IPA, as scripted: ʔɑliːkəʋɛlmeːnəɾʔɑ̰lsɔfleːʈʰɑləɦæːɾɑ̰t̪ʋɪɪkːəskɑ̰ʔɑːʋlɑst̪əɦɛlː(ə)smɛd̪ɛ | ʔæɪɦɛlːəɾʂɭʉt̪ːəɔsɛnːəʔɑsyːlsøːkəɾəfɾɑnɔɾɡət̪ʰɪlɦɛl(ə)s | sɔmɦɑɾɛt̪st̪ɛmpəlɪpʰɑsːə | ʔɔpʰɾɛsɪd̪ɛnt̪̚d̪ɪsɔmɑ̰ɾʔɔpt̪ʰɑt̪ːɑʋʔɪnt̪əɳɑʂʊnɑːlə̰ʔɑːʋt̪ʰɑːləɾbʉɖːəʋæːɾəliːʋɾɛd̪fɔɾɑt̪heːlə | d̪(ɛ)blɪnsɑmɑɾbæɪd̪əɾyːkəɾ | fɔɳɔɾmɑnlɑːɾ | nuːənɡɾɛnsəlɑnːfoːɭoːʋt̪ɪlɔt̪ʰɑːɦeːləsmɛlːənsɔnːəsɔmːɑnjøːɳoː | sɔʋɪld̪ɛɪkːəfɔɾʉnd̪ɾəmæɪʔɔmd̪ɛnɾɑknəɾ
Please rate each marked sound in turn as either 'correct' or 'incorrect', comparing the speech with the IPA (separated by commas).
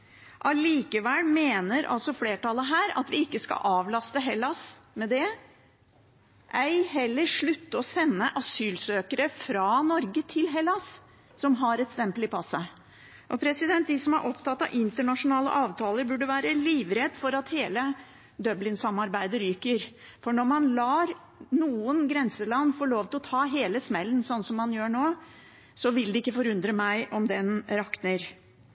incorrect, incorrect, incorrect